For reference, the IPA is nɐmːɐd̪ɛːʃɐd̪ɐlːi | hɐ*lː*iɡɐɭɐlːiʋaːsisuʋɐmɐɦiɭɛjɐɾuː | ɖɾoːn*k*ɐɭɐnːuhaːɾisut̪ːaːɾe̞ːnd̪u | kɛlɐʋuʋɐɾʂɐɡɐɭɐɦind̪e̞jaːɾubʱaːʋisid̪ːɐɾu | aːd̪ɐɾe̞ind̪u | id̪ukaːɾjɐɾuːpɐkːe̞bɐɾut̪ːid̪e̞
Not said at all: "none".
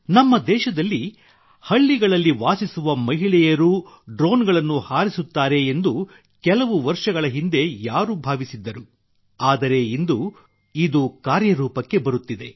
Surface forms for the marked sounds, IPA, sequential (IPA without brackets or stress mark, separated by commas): ɭː, ɡ